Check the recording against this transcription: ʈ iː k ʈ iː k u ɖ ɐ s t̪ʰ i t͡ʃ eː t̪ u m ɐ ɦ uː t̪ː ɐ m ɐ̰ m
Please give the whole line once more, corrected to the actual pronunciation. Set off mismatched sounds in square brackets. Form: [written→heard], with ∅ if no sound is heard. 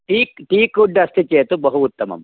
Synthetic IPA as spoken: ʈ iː k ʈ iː k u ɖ ɐ s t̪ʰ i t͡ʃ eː t̪ u [m→b] ɐ ɦ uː t̪ː ɐ m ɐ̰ m